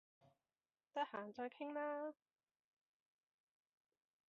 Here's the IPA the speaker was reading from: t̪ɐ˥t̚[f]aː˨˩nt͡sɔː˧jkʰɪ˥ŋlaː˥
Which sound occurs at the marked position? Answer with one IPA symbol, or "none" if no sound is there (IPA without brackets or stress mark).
h